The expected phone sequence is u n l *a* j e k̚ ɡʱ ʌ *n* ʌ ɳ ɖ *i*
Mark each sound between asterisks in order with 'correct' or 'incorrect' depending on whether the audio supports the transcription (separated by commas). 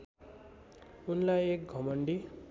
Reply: correct, incorrect, correct